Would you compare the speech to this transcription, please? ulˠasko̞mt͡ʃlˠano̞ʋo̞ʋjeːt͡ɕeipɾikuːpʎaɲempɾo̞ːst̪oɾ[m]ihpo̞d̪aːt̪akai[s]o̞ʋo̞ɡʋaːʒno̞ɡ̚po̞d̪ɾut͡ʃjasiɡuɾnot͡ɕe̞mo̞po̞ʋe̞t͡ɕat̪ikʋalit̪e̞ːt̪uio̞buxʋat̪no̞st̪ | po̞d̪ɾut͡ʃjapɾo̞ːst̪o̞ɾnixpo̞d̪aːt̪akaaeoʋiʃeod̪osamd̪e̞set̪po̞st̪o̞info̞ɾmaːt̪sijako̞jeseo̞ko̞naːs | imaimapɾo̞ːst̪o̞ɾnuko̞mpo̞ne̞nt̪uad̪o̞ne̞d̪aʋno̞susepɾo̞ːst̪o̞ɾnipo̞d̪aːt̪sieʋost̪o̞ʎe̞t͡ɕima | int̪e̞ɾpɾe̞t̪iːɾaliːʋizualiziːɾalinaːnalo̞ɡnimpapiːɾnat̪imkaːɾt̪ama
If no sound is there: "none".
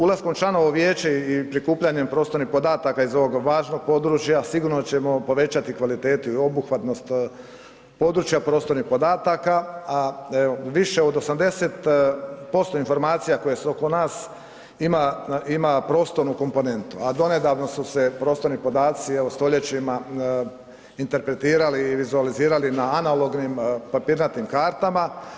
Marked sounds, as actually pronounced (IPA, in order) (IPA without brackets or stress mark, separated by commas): n, z